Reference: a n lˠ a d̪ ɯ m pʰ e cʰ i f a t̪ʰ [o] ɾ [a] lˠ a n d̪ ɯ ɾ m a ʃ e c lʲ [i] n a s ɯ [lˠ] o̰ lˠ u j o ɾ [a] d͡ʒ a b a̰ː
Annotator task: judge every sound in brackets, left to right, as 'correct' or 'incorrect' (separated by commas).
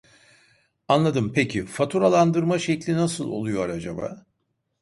incorrect, correct, correct, correct, correct